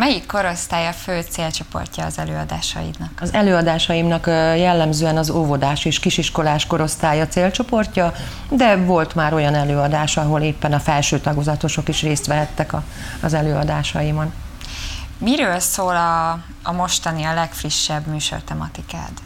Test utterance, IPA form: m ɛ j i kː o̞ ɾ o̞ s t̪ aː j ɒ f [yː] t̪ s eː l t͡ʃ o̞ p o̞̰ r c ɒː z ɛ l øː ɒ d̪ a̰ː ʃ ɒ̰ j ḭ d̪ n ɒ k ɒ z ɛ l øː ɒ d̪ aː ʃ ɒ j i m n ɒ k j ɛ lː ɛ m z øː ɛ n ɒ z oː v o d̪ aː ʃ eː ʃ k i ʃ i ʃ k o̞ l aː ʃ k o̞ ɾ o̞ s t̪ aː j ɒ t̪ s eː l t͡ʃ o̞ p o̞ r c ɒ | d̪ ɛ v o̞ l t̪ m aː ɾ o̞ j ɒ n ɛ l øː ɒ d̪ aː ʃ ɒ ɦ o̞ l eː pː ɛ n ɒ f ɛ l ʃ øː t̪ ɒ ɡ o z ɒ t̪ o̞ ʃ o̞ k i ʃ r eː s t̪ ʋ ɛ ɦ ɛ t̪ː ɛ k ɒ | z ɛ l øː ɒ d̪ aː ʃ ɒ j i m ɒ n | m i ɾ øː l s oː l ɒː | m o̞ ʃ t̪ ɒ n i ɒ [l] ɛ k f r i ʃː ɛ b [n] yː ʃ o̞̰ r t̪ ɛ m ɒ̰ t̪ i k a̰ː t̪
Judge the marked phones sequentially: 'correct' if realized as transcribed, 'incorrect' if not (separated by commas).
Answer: incorrect, correct, incorrect